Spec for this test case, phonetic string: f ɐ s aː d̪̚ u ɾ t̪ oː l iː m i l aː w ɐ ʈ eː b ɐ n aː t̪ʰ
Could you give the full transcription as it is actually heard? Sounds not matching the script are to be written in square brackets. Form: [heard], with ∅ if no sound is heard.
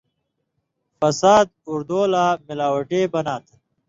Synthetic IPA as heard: f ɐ s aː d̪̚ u ɾ [d̪] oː l [aː] m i l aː w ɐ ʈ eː b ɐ n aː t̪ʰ